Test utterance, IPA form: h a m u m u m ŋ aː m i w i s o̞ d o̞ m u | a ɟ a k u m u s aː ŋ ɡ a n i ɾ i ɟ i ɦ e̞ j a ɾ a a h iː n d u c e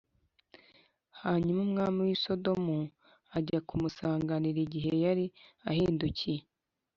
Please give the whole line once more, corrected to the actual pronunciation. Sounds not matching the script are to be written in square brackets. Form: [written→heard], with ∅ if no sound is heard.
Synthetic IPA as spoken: h a [m→ɲ] u m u m ŋ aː m i w i s o̞ d o̞ m u | a ɟ a k u m u s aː ŋ ɡ a n i ɾ i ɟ i ɦ e̞ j a ɾ [a→i] a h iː n d u c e